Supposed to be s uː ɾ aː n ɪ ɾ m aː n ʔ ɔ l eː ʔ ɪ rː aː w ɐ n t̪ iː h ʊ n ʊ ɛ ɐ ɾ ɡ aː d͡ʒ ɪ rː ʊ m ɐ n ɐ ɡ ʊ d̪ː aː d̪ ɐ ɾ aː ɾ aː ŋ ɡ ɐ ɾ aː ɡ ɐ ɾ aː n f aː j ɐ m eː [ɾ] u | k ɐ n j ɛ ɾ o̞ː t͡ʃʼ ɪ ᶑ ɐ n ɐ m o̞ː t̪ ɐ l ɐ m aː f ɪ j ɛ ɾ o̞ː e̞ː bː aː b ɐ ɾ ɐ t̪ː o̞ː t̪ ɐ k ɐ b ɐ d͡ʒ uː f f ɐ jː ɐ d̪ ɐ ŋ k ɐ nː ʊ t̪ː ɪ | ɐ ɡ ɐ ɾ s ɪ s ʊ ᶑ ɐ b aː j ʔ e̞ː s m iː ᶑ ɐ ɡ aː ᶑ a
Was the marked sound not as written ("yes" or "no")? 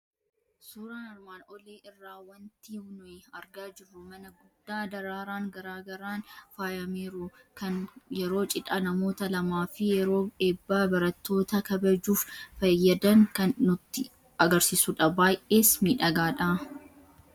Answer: no